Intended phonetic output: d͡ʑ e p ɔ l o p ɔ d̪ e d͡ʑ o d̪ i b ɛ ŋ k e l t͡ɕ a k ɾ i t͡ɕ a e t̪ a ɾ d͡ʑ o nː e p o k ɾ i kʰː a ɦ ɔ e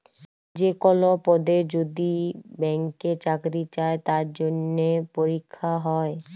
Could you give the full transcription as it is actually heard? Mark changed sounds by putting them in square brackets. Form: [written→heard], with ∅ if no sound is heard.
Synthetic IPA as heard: d͡ʑ e [p→k] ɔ l o p ɔ d̪ e d͡ʑ o d̪ i b ɛ ŋ k e [l→∅] t͡ɕ a k ɾ i t͡ɕ a e t̪ a ɾ d͡ʑ o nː e p o [k→∅] ɾ i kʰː a ɦ ɔ e